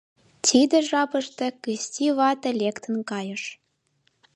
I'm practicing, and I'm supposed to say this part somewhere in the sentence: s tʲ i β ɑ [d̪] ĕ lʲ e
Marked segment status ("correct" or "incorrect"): incorrect